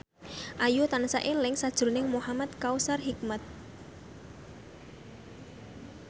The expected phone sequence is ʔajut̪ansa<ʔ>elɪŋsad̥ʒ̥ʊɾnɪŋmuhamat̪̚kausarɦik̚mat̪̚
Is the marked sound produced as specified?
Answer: yes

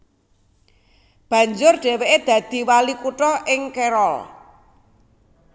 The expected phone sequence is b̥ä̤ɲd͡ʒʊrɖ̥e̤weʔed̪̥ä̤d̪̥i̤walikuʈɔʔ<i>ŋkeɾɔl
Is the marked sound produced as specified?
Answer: no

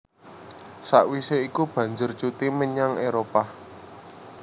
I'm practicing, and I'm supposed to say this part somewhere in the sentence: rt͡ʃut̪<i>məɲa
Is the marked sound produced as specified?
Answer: yes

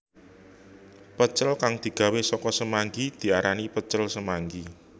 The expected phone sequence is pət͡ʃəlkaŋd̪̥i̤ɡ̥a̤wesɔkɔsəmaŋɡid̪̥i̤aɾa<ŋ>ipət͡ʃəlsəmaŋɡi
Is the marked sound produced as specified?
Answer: no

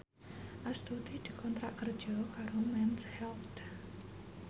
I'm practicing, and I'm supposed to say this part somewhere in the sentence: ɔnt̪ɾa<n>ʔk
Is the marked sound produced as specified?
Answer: no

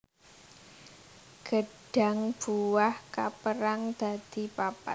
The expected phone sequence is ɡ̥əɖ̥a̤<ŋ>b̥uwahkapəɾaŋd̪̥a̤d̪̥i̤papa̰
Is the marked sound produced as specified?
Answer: yes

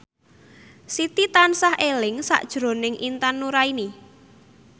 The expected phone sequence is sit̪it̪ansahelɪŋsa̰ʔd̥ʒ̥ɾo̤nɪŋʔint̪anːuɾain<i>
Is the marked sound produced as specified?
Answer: yes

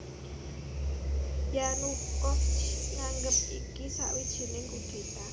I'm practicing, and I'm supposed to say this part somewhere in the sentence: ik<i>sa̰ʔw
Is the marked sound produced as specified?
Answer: yes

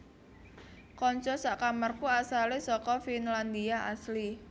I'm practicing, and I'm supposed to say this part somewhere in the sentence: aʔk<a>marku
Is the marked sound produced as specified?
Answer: yes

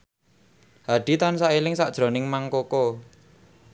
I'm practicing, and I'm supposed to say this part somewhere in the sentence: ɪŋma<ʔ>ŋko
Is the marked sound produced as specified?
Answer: no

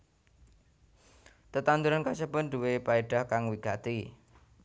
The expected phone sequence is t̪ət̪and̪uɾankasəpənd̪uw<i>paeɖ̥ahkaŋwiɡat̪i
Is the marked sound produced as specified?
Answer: no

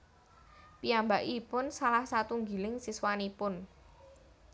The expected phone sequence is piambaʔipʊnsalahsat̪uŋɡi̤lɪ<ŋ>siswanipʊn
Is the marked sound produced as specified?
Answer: yes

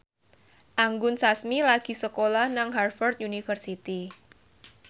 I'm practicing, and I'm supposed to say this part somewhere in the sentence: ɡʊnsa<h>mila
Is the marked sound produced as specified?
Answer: no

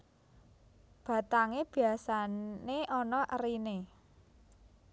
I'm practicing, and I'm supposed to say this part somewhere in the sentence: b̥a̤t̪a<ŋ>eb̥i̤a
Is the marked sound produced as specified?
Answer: yes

